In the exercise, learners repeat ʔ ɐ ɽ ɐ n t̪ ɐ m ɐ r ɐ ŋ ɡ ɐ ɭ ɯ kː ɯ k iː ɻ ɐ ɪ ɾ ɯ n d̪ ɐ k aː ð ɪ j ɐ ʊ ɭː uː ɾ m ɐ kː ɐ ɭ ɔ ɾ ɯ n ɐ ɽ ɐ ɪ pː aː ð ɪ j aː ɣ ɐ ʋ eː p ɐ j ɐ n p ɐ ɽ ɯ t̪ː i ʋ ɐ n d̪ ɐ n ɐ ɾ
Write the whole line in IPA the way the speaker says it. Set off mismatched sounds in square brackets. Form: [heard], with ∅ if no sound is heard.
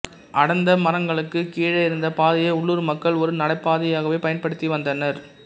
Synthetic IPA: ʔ ɐ ɽ ɐ n [d̪] ɐ m ɐ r ɐ ŋ ɡ ɐ ɭ ɯ kː ɯ k iː ɻ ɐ ɪ ɾ ɯ n d̪ ɐ [p] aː ð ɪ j ɐ ʊ ɭː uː ɾ m ɐ kː ɐ ɭ ɔ ɾ ɯ n ɐ ɽ ɐ ɪ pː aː ð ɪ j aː ɣ ɐ ʋ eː p ɐ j ɐ n p ɐ ɽ ɯ t̪ː i ʋ ɐ n d̪ ɐ n ɐ ɾ